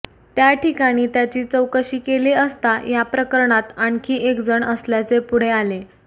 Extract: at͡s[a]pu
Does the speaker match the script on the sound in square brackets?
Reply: no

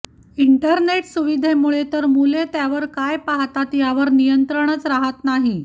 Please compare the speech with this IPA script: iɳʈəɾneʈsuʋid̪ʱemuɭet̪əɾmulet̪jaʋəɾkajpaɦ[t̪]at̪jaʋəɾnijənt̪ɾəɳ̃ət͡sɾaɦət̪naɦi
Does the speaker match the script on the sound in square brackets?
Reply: yes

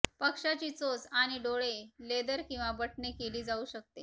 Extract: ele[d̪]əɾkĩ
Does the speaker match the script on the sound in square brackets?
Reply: yes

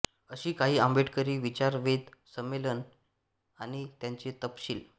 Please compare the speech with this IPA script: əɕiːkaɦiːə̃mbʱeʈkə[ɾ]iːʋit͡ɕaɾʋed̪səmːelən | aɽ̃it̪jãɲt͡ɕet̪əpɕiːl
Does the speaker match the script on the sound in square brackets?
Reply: yes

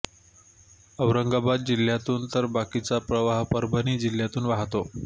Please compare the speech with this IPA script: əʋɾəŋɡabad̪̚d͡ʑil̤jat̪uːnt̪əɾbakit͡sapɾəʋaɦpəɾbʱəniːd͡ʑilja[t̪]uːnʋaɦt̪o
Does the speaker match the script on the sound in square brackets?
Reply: yes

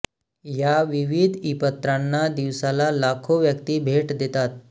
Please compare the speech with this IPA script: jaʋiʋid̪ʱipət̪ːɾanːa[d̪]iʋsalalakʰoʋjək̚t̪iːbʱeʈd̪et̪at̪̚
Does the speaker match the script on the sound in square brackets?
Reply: yes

